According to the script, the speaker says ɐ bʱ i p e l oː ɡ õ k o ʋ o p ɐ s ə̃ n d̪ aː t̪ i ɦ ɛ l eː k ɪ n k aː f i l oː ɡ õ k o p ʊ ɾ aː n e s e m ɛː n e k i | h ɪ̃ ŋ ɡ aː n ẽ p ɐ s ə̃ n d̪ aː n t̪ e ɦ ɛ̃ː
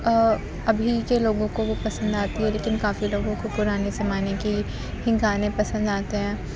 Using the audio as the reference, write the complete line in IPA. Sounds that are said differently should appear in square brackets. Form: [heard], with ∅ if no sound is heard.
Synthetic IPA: ɐ bʱ i [k] e l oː ɡ õ k o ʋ o p ɐ s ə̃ n d̪ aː t̪ i ɦ ɛ l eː k ɪ n k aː f i l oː ɡ õ k o p ʊ ɾ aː n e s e m [aː] n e k i | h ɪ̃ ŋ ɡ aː n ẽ p ɐ s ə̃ n d̪ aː [∅] t̪ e ɦ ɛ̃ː